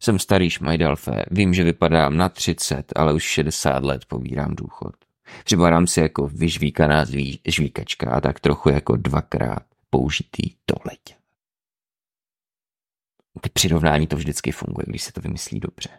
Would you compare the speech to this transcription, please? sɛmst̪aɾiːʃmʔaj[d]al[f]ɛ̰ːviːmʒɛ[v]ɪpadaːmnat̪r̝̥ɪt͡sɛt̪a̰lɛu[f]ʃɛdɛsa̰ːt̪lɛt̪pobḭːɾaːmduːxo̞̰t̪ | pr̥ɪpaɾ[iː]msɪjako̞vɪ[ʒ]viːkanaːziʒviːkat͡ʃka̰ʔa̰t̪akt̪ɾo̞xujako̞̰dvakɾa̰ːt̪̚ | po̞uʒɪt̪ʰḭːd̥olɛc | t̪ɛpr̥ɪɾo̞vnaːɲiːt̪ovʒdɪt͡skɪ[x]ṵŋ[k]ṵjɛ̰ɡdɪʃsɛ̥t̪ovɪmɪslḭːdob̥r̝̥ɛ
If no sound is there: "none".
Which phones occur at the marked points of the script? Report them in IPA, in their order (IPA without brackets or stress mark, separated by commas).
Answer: d, f, v, ʃ, aː, ʒ, f, ɡ